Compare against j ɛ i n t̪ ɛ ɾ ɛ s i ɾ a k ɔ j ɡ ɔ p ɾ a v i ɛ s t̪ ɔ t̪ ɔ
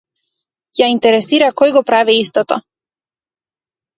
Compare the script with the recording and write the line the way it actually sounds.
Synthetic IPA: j a i n t̪ ɛ ɾ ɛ s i ɾ a k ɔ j ɡ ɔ p ɾ a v i i s t̪ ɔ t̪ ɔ